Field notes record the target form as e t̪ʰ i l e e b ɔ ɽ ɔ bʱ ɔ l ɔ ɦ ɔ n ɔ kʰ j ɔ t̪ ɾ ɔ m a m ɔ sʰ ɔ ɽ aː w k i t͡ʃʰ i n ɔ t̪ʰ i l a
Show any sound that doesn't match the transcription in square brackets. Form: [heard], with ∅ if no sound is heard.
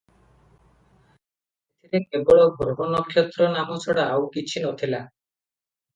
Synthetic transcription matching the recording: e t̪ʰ i [ɾ] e e b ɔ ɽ ɔ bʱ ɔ [ɾ] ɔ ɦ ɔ n ɔ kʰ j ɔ t̪ ɾ ɔ [n] a m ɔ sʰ ɔ ɽ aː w k i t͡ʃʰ i n ɔ t̪ʰ i l a